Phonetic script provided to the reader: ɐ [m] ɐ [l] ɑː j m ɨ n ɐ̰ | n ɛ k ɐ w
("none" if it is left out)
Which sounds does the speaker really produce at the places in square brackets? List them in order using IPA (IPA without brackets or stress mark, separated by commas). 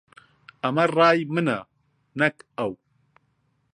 m, r